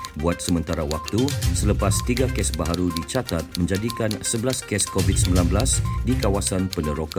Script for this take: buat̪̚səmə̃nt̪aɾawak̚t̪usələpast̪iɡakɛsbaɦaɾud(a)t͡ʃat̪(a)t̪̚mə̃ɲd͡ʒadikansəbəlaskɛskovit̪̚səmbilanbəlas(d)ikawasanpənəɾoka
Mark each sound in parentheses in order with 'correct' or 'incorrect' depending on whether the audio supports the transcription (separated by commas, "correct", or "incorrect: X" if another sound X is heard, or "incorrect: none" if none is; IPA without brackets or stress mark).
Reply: incorrect: i, correct, correct